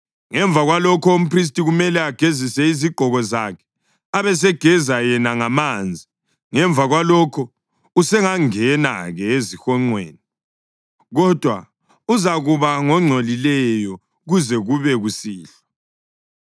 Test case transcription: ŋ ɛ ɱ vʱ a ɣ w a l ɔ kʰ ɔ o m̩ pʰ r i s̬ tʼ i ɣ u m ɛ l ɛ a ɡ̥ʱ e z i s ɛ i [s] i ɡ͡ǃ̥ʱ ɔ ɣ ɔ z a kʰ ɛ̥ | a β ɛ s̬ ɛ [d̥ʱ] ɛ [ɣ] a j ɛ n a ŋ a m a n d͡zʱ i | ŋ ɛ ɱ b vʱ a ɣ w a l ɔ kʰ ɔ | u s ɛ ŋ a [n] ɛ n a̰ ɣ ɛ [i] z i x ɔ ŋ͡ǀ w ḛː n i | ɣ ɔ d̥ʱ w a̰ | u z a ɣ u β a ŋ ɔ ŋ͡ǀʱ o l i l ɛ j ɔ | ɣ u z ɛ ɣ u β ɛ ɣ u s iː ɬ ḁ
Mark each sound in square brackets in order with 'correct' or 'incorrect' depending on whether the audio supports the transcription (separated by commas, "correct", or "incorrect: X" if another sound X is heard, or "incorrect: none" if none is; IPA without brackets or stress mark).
incorrect: z, incorrect: ɡ̥ʱ, incorrect: z, incorrect: ŋ, incorrect: e